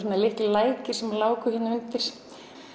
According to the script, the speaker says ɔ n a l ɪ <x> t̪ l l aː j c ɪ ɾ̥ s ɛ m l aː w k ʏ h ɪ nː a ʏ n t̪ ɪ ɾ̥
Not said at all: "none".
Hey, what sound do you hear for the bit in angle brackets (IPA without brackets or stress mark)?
h